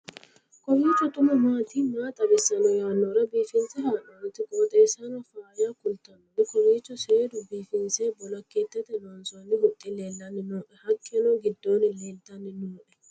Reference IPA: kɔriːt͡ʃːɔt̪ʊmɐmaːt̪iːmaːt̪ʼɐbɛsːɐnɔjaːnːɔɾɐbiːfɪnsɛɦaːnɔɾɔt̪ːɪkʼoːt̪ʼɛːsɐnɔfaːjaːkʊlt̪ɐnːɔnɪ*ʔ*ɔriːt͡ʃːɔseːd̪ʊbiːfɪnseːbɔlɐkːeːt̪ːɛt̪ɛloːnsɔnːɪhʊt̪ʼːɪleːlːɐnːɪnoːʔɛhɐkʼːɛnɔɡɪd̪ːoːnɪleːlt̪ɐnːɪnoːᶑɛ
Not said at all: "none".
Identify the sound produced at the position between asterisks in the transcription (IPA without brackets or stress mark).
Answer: k